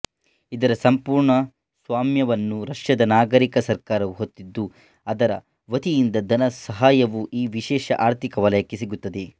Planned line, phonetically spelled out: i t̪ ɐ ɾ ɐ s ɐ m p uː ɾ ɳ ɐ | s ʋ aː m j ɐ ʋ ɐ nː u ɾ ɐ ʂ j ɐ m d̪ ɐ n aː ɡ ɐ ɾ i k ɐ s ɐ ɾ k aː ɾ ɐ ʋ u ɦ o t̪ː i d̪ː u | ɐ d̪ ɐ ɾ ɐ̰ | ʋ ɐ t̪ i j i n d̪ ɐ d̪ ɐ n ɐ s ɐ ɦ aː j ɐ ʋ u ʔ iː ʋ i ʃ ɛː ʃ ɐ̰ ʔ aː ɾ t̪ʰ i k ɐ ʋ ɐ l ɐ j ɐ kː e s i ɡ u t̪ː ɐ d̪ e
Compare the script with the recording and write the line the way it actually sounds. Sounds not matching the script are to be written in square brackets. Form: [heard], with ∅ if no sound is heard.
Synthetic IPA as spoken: i [d̪] ɐ ɾ ɐ s ɐ m p uː ɾ ɳ ɐ | s ʋ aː m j ɐ ʋ ɐ nː u ɾ ɐ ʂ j ɐ [∅] d̪ ɐ n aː ɡ ɐ ɾ i k ɐ s ɐ ɾ k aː ɾ ɐ ʋ u ɦ o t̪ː i d̪ː u | ɐ d̪ ɐ ɾ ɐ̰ | ʋ ɐ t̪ i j i n d̪ ɐ d̪ ɐ n ɐ s ɐ ɦ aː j ɐ ʋ u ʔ iː ʋ i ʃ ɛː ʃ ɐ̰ ʔ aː ɾ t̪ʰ i k ɐ ʋ ɐ l ɐ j ɐ kː e s i ɡ u t̪ː ɐ d̪ e